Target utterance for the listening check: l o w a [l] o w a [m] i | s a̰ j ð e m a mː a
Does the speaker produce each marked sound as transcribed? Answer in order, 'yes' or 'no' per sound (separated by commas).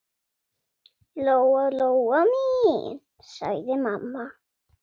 yes, yes